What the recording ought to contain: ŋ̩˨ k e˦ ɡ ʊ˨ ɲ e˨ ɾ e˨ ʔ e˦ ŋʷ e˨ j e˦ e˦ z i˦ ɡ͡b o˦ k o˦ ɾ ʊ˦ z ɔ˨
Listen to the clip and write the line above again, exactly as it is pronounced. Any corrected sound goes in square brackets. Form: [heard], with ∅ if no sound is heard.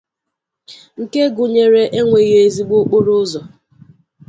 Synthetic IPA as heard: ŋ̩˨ k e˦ ɡ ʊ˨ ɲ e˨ ɾ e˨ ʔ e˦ ŋʷ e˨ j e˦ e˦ z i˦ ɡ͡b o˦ [k͡p] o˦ ɾ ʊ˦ z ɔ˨